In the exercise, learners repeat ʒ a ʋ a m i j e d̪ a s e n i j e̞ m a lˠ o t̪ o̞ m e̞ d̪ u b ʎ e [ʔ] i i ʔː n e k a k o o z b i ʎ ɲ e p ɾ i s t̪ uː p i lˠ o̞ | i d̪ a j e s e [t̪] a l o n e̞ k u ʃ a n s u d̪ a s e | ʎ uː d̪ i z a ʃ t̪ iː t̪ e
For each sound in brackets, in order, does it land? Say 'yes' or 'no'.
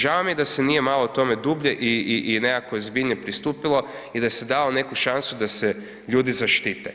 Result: yes, no

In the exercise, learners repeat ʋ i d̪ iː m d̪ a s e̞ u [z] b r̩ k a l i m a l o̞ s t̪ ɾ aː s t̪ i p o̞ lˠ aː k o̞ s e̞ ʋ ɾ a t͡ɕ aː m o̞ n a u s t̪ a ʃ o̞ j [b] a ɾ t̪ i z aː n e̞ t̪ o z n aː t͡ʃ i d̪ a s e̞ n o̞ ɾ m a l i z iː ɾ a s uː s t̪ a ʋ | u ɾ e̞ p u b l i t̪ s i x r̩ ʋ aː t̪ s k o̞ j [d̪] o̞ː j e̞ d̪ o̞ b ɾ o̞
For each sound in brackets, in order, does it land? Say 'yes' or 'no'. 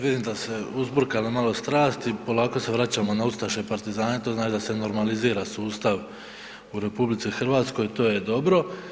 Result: yes, no, no

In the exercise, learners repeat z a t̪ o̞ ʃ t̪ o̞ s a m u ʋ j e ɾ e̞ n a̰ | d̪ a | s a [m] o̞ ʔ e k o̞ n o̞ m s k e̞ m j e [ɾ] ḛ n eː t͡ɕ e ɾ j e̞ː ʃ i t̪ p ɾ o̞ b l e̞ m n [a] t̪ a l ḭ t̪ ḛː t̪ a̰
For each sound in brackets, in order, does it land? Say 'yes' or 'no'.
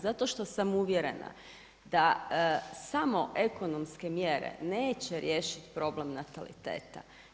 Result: yes, yes, yes

